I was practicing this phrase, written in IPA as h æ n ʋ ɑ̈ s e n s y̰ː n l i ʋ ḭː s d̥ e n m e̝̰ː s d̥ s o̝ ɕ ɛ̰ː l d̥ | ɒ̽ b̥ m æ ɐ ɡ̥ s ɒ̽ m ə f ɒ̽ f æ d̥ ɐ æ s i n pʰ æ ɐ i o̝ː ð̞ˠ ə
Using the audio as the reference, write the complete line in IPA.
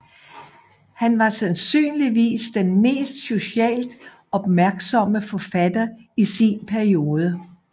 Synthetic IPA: h æ n ʋ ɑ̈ s æ n s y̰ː n l i ʋ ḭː s d̥ e n m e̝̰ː s d̥ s o̝ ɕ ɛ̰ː l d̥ | ɒ̽ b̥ m æ ɐ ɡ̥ s ɒ̽ m ə f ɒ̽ f æ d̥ ɐ i s i n pʰ æ ɐ i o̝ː ð̞ˠ ə

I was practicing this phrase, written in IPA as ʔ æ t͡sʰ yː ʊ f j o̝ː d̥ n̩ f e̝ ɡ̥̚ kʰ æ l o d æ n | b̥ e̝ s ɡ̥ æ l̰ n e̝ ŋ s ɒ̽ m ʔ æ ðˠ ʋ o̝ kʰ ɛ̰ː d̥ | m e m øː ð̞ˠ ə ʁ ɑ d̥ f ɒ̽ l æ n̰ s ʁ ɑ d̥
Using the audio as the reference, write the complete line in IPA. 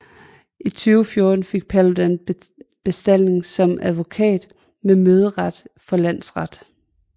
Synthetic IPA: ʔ i t͡sʰ yː ʊ f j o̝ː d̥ n̩ f e̝ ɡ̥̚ pʰ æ l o d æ n | b̥ e̝ s d̥ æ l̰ n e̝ ŋ s ɒ̽ m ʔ æ ðˠ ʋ o̝ kʰ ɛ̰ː d̥ | m e m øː ð̞ˠ ə ʁ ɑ d̥ f ɒ̽ l æ n̰ s ʁ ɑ d̥

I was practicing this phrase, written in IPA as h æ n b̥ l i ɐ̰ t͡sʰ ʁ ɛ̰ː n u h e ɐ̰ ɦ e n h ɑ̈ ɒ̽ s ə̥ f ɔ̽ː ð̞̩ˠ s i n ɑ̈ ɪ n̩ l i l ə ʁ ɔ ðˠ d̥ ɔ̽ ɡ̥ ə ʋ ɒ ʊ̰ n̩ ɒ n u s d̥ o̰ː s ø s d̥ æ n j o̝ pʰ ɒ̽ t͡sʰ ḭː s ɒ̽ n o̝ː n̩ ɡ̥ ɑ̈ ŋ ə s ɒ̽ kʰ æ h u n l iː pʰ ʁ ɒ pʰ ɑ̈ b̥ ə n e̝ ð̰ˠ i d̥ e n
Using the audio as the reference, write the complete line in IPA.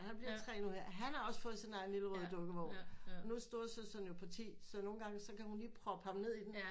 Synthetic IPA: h æ n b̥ l i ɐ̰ t͡sʰ ʁ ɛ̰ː n u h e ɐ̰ ɦ æ n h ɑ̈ ɒ̽ s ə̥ f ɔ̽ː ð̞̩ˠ s i n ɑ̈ ɪ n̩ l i l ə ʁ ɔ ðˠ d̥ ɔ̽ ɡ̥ ə ʋ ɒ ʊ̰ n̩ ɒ n u s d̥ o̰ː s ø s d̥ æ n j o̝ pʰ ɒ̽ t͡sʰ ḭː s ɒ̽ n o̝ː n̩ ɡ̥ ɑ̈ ŋ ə s ɒ̽ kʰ æ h u n l iː pʰ ʁ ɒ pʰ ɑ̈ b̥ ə n e̝ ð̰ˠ i d̥ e n

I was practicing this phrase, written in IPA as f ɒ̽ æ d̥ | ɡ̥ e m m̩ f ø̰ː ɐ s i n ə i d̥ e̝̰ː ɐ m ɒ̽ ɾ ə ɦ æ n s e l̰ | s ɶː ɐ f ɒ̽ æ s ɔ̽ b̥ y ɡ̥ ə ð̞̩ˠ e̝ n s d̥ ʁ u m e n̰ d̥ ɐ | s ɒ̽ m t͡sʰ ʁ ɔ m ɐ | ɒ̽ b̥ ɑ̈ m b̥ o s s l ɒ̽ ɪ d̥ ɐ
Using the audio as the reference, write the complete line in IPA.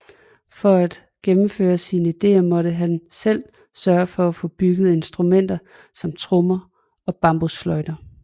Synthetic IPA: f ɒ̽ æ d̥ | ɡ̥ e m m̩ f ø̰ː ɐ s i n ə i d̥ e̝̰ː ɐ m ɒ̽ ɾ ə ɦ æ n s e l̰ | s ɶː ɐ f ɒ̽ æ f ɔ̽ b̥ y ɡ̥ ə ð̞̩ˠ e̝ n s d̥ ʁ u m e n̰ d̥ ɐ | s ɒ̽ m t͡sʰ ʁ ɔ m ɐ | ɒ̽ b̥ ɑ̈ m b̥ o s f l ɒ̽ ɪ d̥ ɐ

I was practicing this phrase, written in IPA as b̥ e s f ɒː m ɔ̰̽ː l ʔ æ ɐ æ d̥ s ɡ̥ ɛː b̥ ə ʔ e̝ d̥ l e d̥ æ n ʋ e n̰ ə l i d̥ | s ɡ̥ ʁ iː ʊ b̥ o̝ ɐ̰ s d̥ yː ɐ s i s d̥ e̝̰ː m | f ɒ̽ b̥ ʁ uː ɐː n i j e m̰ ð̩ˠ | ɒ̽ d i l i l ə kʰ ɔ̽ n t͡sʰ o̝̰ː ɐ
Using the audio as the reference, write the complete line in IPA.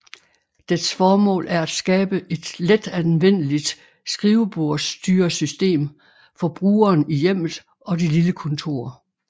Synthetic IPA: d̥ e s f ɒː m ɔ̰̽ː l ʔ æ ɐ æ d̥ s ɡ̥ ɛː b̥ ə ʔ e̝ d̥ l e d̥ æ n ʋ e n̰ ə l i d̥ | s ɡ̥ ʁ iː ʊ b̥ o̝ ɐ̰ s d̥ yː ɐ s y s d̥ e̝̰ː m | f ɒ̽ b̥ ʁ uː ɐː n i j e m̰ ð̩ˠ | ɒ̽ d i l i l ə kʰ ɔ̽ n t͡sʰ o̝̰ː ɐ

